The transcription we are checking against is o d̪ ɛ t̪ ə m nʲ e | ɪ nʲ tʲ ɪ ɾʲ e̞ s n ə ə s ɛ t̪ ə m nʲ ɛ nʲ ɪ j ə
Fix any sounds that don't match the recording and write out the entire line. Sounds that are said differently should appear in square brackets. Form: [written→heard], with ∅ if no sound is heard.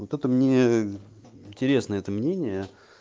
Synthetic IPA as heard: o [d̪→t̪] ɛ t̪ ə m nʲ e | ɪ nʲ tʲ ɪ ɾʲ e̞ s n ə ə [s→∅] ɛ t̪ ə m nʲ [ɛ→e] nʲ ɪ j ə

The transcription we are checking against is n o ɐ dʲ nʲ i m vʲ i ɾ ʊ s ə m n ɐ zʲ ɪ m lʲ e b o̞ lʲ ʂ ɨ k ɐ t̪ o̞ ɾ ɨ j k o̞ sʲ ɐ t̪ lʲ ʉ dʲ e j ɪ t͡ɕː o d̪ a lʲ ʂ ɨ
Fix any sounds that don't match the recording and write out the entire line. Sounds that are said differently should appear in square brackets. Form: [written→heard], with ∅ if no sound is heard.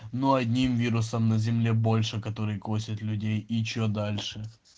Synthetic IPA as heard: n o ɐ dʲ nʲ i m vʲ i ɾ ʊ s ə m n ɐ zʲ ɪ m lʲ e b o̞ lʲ ʂ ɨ k ɐ t̪ o̞ ɾ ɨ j k o̞ sʲ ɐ t̪ lʲ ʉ dʲ e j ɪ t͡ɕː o d̪ a lʲ ʂ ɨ

